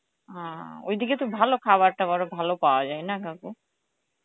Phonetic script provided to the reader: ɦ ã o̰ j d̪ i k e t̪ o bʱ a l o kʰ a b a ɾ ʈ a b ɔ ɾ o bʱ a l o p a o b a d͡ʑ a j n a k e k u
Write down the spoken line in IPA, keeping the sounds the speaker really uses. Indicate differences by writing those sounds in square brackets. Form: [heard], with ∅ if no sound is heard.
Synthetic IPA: ɦ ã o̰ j d̪ i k e t̪ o bʱ a l o kʰ a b a ɾ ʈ a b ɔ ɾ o bʱ a l o p a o [∅] a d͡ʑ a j n a k [a] k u

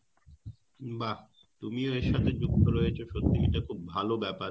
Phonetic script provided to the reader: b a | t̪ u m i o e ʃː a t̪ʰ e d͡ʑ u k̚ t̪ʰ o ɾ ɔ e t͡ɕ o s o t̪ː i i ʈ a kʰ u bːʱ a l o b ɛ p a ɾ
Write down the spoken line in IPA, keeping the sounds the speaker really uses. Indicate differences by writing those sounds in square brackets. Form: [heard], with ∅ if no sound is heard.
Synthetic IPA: b a | t̪ u m i o e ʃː a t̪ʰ e d͡ʑ u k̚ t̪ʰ o ɾ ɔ e [t͡ɕʰ] o [ʃ] o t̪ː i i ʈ a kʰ u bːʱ a l o b ɛ p a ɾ

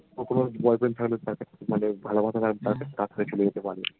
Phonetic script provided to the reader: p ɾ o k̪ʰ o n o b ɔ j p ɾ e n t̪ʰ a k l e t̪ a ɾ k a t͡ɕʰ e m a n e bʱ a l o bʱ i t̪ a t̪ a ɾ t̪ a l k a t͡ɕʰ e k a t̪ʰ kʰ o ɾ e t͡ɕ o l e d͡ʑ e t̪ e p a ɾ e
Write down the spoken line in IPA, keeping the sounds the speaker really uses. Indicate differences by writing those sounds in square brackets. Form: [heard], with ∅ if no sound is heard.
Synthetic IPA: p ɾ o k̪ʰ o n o b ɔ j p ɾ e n t̪ʰ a k l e t̪ a ɾ k a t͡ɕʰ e m a n e bʱ a l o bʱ [a] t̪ a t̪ a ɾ t̪ a [ɾ] k a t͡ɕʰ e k a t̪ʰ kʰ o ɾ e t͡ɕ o l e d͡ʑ e t̪ e p a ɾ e

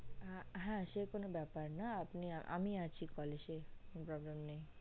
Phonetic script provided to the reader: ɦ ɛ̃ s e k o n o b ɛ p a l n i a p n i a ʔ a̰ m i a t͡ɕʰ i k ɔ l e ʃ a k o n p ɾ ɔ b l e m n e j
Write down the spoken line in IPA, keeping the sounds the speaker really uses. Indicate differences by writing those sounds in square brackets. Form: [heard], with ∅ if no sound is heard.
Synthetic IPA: ɦ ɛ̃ [ʃ] e k o n o b ɛ p a [ɾ] n [a] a p n i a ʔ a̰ m i a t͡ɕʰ i k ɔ l e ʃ [e] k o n p ɾ ɔ b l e m n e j

